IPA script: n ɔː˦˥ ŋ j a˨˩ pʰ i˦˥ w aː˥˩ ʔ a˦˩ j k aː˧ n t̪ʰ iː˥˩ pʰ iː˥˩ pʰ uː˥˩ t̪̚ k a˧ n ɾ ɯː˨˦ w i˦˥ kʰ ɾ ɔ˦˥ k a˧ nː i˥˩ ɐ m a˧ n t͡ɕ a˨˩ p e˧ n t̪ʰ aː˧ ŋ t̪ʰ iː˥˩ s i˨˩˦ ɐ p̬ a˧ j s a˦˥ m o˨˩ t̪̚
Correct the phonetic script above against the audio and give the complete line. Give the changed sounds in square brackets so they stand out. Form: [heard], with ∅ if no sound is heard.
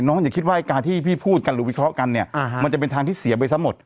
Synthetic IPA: n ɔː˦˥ ŋ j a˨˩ [kʰ] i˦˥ w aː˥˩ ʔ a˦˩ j k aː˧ n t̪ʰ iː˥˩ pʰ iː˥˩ pʰ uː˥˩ t̪̚ k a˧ n ɾ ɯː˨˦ w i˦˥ kʰ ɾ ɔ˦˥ k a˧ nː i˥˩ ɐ m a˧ n t͡ɕ a˨˩ p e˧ n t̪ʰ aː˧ ŋ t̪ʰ iː˥˩ s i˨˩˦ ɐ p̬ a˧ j s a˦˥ m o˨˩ t̪̚